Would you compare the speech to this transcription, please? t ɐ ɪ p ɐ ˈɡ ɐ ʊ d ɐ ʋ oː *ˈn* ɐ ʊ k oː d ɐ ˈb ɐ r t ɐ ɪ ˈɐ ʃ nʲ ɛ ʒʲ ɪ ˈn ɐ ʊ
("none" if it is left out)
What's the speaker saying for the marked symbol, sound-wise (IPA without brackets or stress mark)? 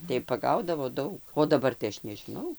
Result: d